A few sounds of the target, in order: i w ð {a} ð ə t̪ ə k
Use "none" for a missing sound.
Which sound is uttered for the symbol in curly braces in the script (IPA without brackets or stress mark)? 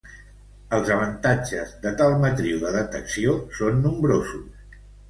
ə